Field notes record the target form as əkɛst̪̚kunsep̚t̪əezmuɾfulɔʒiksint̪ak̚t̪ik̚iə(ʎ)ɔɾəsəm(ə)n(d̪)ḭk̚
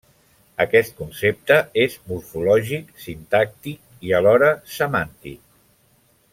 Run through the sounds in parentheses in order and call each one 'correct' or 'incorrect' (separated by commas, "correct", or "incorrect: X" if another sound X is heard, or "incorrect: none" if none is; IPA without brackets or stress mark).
incorrect: l, incorrect: a, incorrect: t̪